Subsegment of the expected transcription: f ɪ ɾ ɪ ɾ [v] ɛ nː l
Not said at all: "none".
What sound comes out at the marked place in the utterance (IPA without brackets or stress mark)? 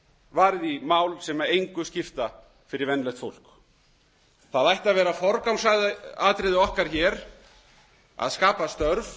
v